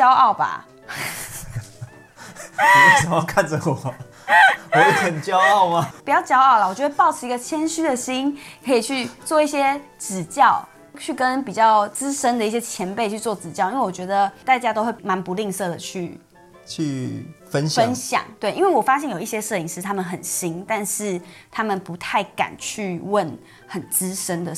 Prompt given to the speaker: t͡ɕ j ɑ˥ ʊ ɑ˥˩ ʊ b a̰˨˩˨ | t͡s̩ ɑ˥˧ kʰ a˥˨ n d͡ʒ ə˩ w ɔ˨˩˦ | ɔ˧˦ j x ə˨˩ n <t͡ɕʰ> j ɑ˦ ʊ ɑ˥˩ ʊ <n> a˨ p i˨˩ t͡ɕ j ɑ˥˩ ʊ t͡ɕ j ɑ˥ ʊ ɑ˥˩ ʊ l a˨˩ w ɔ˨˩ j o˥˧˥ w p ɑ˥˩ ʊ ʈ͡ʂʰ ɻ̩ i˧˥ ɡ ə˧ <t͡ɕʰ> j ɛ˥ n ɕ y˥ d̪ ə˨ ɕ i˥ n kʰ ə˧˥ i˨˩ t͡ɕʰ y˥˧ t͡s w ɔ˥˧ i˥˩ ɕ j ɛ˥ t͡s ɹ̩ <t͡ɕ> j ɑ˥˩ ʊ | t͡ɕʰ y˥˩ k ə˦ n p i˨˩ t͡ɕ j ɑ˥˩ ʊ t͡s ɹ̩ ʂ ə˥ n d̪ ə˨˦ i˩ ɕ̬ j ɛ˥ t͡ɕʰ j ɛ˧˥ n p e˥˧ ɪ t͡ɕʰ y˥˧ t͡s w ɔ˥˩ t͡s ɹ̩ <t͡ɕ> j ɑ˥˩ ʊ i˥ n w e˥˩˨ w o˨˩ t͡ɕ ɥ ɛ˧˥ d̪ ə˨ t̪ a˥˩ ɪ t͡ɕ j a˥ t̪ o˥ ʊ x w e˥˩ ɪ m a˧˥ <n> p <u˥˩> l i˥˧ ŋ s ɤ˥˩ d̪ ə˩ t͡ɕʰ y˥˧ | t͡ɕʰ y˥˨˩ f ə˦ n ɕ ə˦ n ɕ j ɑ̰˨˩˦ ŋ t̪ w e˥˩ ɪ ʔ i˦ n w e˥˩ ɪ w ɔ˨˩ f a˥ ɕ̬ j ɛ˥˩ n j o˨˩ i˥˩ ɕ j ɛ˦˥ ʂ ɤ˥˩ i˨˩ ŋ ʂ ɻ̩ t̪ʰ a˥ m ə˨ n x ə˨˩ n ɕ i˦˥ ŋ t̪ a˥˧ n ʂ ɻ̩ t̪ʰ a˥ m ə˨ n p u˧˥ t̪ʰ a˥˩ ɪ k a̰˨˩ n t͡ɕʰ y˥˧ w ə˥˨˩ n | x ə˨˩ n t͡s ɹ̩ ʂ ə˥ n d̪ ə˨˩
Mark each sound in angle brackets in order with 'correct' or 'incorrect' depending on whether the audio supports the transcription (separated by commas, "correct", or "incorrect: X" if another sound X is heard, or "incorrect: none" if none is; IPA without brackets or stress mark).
incorrect: t͡ɕ, incorrect: m, correct, correct, correct, correct, incorrect: u˧˦